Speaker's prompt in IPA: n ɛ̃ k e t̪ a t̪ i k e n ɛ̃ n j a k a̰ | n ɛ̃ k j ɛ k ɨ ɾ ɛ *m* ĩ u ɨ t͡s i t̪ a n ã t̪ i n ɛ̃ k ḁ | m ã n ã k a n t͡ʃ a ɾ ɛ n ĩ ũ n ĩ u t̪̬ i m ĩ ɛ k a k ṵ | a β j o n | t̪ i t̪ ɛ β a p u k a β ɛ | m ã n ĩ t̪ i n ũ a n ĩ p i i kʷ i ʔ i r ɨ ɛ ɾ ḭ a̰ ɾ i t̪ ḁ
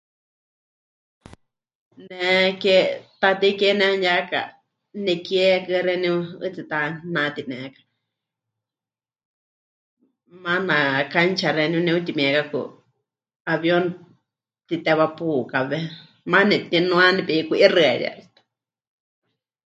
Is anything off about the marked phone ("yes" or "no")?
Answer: yes